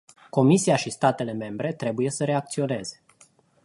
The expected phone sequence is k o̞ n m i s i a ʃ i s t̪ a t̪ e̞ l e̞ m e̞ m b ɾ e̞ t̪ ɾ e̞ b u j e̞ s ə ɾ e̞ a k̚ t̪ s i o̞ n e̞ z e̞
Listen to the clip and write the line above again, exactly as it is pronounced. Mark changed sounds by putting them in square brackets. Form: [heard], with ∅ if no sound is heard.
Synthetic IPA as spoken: k o̞ [∅] m i s i a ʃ i s t̪ a t̪ e̞ l e̞ m e̞ m b ɾ e̞ t̪ ɾ e̞ b u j e̞ s ə ɾ e̞ a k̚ t̪ s i o̞ n e̞ z e̞